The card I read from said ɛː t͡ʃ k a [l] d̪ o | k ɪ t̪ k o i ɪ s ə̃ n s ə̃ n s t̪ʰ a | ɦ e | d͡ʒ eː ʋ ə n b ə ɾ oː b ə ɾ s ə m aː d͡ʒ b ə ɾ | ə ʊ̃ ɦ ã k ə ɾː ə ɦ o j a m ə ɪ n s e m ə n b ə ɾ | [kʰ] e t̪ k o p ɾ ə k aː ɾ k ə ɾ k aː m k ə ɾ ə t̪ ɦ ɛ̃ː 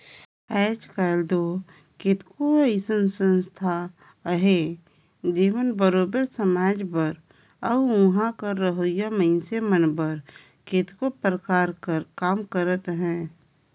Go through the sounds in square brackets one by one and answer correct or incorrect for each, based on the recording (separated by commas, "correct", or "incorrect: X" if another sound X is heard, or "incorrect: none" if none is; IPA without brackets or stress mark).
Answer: correct, incorrect: k